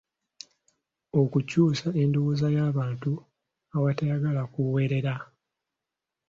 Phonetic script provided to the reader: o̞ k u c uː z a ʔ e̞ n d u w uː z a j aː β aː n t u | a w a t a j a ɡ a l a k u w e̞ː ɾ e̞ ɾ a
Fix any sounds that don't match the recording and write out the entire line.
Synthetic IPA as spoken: o̞ k u c uː s a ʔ e̞ n d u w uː z a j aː β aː n t u | a w a t a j a ɡ a l a k u w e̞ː ɾ e̞ ɾ a